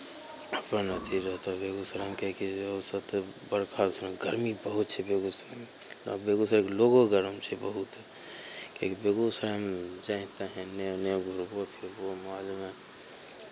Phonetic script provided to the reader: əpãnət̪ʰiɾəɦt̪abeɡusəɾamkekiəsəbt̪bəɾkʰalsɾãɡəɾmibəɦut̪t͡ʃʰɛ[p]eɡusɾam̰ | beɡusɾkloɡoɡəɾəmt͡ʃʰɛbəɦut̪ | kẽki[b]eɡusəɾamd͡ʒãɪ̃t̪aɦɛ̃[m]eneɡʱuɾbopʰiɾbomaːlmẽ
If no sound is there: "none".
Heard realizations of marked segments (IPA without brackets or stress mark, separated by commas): b, b, n